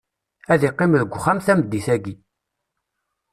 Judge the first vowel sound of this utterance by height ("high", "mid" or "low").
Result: low